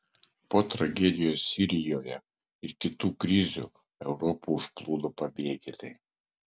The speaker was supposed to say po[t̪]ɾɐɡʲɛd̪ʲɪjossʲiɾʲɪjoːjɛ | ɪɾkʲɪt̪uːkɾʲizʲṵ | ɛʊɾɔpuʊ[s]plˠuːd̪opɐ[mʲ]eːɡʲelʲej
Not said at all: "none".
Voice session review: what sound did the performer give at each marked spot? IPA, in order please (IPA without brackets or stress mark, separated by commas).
t̪, ʃ, bʲ